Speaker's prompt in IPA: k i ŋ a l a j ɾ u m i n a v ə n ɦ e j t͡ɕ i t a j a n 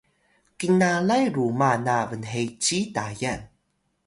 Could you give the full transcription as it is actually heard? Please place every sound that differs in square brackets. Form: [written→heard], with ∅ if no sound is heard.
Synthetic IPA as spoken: k i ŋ a l a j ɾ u m [i→a] n a v ə n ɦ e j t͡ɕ i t a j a n

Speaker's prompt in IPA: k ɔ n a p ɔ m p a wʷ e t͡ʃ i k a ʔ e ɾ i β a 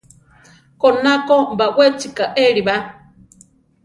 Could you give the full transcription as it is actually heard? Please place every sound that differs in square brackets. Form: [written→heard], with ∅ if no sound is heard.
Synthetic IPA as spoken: k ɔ n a [p→k] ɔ m [p→b] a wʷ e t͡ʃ i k a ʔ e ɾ i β a

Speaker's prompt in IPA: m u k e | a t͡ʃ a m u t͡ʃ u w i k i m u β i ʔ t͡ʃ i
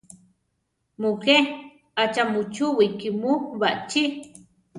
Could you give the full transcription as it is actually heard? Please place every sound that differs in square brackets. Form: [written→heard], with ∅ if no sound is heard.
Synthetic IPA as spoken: m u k e | a t͡ʃ a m u t͡ʃ u w i k i m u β [i→a] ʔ t͡ʃ i

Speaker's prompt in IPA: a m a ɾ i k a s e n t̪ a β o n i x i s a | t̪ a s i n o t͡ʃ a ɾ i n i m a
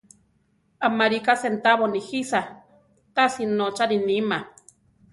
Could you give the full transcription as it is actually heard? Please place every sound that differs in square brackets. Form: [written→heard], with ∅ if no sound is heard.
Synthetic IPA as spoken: a m a ɾ i k a s e n t̪ a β o n i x i s a | t̪ a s i n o t͡ʃ a ɾ i n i m a

